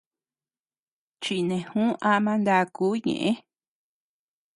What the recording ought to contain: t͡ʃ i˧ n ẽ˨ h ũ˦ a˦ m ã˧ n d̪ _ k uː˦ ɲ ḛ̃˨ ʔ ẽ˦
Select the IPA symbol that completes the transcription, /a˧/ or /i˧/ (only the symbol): a˧